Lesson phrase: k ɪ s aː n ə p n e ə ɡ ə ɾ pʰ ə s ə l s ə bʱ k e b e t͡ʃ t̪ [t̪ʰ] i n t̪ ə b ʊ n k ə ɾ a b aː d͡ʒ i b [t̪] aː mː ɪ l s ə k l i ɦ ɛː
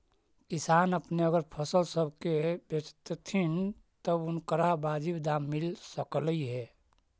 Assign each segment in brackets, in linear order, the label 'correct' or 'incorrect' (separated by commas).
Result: correct, incorrect